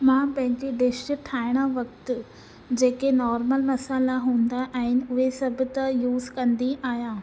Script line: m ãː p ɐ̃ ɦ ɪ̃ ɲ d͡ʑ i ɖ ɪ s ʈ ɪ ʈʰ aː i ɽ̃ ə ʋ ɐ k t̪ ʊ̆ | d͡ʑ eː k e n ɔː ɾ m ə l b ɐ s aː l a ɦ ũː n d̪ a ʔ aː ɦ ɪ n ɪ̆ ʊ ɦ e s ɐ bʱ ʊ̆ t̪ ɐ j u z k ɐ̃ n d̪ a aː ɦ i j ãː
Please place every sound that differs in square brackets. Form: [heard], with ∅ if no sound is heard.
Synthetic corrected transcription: m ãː p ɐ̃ ɦ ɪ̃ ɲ d͡ʑ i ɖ ɪ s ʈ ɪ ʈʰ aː [ɪ] ɽ̃ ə ʋ ɐ k t̪ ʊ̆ | d͡ʑ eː k e n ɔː ɾ m ə l [m] ɐ s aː l a ɦ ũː n d̪ a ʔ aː ɦ ɪ n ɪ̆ ʊ ɦ e s ɐ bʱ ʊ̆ t̪ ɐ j [uː] z k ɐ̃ n d̪ [i] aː ɦ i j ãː